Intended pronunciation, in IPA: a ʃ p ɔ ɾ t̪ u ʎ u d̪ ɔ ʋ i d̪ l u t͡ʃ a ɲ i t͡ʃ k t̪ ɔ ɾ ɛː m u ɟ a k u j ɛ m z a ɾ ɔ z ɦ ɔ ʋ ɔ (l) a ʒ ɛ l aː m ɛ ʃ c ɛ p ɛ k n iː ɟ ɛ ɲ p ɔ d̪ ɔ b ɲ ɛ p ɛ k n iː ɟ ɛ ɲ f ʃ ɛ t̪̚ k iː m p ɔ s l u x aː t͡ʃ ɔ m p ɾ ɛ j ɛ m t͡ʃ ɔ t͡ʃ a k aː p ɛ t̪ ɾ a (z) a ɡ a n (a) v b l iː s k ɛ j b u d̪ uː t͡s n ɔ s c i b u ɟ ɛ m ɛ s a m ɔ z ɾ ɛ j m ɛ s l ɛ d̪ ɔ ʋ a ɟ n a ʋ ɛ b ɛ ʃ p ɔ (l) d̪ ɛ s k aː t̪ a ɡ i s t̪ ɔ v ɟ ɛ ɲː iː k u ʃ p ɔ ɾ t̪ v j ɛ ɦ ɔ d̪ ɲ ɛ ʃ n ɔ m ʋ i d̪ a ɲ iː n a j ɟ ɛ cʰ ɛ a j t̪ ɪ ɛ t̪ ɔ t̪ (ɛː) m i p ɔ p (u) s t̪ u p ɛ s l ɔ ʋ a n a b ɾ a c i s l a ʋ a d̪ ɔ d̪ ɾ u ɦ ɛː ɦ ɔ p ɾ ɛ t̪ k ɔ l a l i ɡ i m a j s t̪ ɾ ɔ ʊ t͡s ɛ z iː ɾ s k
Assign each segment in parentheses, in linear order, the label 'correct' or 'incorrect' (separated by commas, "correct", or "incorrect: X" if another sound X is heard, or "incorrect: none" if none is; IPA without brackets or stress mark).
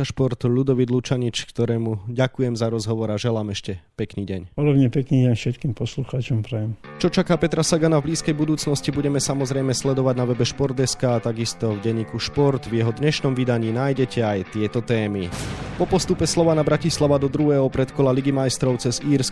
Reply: incorrect: ɾ, incorrect: s, correct, incorrect: ɾ, correct, incorrect: ɔ